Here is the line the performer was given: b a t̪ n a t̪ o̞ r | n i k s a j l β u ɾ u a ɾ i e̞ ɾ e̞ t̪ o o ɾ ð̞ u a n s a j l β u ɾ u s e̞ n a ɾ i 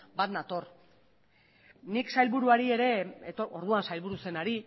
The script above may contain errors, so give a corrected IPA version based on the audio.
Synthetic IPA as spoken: b a t̪ n a t̪ o̞ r | n i k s a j l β u ɾ u a ɾ i e̞ ɾ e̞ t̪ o o ɾ ð̞ u a n s a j l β u ɾ u s e̞ n a ɾ i